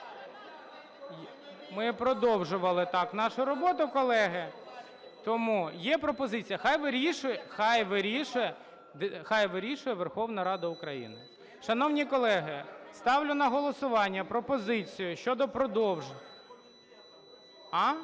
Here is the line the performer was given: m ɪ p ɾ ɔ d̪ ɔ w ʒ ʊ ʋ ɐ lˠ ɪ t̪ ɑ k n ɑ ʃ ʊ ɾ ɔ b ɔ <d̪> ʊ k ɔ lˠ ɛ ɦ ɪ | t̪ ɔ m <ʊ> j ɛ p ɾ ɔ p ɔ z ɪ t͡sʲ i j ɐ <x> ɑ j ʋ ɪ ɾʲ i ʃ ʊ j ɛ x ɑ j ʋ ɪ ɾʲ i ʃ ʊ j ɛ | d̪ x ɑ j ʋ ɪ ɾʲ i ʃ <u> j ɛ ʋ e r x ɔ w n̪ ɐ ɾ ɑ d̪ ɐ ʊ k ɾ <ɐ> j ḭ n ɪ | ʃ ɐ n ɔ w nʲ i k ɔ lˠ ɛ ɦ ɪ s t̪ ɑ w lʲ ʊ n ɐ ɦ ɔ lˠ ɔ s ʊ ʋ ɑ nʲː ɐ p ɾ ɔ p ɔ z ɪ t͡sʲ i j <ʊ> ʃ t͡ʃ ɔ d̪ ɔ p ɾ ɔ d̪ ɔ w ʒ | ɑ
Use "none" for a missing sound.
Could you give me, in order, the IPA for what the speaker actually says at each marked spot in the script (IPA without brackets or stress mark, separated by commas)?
t̪, u, x, ʊ, ɐ, ʊ